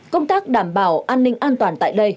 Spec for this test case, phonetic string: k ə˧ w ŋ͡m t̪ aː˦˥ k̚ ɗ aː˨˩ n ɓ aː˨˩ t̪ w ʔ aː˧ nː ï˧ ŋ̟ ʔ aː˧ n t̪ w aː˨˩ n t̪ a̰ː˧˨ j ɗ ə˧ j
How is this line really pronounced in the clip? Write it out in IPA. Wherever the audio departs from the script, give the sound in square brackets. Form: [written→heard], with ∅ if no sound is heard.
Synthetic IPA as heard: k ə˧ w ŋ͡m t̪ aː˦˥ k̚ ɗ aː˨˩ [n→m] ɓ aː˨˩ [t̪→∅] w ʔ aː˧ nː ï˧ ŋ̟ ʔ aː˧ n t̪ w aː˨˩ n t̪ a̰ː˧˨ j ɗ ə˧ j